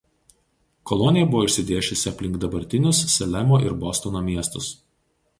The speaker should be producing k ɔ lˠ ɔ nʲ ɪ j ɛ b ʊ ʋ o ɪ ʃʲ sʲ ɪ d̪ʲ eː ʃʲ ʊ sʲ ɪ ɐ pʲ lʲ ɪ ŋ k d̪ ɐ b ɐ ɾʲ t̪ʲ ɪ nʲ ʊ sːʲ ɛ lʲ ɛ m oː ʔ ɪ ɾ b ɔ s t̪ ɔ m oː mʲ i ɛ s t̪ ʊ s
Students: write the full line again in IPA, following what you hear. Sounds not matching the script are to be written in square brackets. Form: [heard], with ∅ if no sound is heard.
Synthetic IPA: k ɔ lˠ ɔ nʲ ɪ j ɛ b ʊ ʋ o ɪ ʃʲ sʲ ɪ d̪ʲ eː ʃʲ ʊ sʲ ɪ ɐ pʲ lʲ ɪ ŋ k d̪ ɐ b ɐ ɾʲ t̪ʲ ɪ nʲ ʊ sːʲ ɛ lʲ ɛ m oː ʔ ɪ ɾ b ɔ s t̪ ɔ [n] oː mʲ i ɛ s t̪ ʊ s